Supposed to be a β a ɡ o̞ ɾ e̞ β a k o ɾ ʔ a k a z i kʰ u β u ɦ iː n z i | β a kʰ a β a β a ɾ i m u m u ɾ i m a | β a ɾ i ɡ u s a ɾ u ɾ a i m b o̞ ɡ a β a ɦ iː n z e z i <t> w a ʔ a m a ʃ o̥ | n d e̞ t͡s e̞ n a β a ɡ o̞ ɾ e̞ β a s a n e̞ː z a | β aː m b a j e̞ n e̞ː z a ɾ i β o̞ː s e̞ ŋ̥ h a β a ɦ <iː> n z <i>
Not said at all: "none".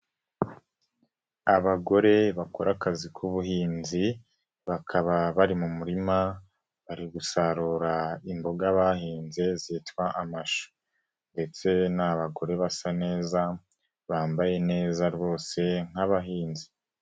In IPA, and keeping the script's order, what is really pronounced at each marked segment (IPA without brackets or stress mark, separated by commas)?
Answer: t, iː, i